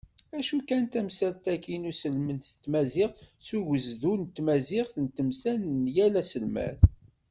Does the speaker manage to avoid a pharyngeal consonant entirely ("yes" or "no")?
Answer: yes